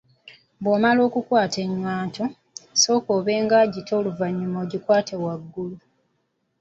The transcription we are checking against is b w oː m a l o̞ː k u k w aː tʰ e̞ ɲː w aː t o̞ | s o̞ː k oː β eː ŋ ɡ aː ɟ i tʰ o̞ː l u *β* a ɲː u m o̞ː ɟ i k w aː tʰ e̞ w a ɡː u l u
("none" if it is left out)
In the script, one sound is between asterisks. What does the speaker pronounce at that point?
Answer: v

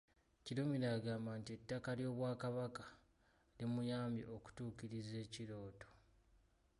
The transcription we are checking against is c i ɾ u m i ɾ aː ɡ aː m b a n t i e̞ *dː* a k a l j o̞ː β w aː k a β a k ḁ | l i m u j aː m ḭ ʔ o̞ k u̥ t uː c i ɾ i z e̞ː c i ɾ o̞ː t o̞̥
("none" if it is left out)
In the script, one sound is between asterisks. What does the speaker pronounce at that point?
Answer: tː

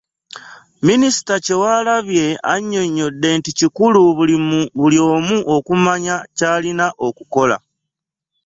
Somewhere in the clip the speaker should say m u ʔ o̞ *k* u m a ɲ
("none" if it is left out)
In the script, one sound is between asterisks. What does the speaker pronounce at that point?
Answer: k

